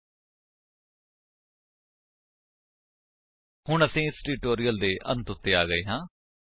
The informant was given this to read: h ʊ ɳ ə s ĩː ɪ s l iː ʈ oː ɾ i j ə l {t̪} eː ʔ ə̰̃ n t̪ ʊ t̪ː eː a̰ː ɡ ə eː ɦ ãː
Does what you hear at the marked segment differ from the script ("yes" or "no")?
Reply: yes